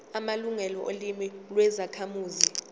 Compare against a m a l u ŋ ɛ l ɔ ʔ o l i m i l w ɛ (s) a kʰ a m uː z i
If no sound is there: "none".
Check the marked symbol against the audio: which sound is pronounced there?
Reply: z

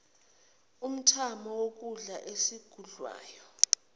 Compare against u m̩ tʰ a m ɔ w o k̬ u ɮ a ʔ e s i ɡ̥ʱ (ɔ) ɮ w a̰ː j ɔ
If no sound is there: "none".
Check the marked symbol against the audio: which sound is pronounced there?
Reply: u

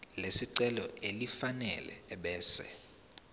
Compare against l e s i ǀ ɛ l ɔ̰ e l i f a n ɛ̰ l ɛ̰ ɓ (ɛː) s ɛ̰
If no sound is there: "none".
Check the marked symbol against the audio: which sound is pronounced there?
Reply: ɛː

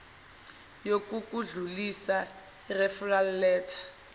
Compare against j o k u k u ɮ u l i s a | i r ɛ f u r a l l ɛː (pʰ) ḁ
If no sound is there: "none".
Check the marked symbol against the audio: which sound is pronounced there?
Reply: tʰ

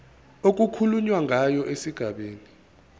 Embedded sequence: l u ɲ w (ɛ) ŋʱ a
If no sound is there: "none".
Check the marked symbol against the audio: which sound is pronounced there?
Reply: a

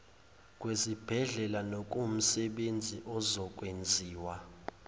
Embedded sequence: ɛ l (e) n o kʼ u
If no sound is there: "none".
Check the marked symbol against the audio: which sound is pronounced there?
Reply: a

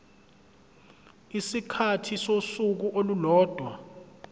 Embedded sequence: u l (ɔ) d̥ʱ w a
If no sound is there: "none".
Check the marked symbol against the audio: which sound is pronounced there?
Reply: ɔː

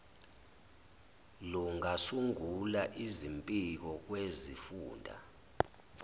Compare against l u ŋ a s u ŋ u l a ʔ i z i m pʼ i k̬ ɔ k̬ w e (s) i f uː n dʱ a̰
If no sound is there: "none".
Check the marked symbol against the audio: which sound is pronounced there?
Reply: z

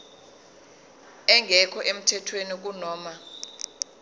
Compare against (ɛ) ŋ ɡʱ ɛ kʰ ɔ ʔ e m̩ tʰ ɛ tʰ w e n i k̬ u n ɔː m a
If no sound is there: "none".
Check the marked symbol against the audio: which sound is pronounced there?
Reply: ɛ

